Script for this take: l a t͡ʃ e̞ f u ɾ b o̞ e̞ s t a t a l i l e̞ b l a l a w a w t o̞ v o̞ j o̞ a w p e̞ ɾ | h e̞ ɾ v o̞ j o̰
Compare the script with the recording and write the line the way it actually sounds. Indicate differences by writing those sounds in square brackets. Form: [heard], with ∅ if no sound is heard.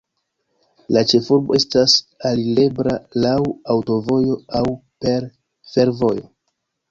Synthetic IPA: l a t͡ʃ e̞ f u ɾ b o̞ e̞ s t a [s] a l i l e̞ b [ɾ] a l a w a w t o̞ v o̞ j o̞ a w p e̞ ɾ | [f] e̞ ɾ v o̞ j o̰